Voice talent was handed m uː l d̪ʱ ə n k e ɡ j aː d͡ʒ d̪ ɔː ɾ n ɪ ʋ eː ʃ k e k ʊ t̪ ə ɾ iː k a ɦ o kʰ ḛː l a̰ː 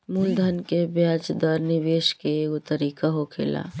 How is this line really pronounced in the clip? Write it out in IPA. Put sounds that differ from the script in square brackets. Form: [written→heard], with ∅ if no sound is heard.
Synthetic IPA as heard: m uː l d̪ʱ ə n k e [ɡ→b] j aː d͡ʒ d̪ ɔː ɾ n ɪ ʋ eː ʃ k e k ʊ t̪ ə ɾ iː k a ɦ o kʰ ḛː l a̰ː